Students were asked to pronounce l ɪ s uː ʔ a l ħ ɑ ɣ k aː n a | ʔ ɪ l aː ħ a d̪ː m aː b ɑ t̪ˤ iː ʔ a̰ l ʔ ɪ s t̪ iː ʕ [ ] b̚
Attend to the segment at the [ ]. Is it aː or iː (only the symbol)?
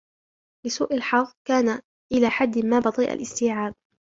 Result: aː